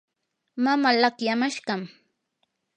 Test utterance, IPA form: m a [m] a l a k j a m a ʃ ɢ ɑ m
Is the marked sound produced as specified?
yes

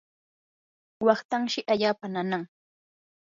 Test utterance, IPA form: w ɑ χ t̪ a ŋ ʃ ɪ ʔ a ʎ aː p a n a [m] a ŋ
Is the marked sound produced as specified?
no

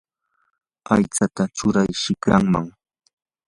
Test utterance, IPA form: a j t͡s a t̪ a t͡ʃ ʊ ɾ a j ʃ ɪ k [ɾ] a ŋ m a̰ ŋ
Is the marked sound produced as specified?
yes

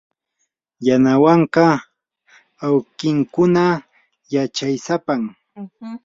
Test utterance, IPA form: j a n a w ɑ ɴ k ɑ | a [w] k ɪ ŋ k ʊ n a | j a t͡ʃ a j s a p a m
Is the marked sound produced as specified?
yes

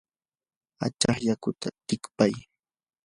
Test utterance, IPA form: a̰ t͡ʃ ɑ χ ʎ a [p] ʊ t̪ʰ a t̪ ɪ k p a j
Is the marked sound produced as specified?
no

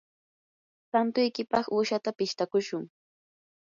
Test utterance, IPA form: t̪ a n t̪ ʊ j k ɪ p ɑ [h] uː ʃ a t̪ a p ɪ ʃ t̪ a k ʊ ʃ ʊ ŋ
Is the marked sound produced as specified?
no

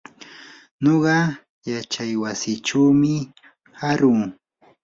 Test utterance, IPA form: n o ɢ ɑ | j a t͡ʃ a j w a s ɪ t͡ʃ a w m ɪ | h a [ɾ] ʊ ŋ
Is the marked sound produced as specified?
yes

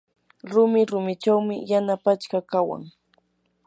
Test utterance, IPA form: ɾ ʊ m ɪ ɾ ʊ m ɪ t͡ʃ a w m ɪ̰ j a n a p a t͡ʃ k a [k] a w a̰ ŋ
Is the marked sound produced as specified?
yes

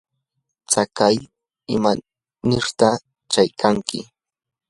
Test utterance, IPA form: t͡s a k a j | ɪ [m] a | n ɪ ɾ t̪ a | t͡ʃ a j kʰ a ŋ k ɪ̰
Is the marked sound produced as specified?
yes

